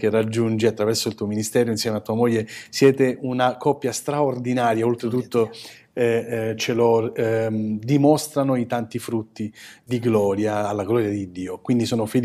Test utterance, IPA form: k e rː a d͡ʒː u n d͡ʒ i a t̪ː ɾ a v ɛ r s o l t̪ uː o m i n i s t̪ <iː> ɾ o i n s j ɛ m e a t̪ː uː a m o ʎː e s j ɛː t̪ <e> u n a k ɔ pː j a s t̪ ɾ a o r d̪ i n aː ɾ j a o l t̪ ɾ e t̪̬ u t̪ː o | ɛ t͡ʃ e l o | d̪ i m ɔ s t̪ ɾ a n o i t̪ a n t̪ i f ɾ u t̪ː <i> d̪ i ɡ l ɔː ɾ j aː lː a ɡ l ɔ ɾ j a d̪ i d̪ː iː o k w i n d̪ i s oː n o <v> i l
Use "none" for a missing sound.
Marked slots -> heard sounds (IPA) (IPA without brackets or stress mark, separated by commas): ɛː, e, i, f